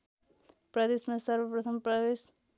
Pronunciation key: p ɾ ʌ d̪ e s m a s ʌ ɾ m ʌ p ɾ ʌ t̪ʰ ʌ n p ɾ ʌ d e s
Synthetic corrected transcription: p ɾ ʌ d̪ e s m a s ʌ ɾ b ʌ p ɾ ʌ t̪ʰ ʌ m p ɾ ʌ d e s